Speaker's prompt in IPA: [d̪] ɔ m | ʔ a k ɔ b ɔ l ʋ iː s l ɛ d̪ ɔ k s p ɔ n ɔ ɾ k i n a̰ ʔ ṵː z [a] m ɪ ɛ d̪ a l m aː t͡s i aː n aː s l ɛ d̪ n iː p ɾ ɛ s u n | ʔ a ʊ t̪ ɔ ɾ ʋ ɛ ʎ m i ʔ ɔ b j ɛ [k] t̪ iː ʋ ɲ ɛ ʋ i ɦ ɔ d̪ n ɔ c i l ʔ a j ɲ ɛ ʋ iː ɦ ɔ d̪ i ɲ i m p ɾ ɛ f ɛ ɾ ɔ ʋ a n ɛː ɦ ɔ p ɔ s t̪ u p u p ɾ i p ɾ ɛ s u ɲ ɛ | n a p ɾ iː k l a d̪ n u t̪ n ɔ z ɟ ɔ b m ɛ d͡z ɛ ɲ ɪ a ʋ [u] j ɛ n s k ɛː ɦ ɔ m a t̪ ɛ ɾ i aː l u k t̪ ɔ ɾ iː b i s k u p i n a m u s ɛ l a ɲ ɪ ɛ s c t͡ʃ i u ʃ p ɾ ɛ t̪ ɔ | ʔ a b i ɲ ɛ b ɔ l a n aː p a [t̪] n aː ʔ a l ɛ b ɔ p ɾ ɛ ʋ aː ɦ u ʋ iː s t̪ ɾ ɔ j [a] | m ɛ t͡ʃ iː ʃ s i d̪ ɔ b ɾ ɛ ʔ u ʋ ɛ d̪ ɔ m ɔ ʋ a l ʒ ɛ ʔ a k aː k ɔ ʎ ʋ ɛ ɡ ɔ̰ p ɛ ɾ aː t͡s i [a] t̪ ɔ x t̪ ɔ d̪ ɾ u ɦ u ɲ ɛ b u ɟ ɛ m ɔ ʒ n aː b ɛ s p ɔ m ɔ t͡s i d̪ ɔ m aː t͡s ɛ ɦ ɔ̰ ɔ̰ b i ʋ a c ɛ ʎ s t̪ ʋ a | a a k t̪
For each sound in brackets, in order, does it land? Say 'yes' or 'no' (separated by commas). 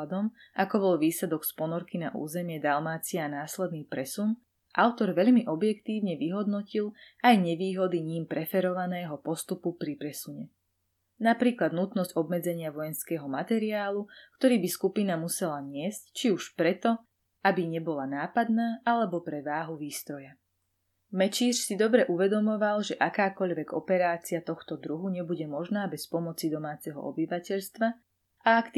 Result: yes, no, yes, no, no, yes, yes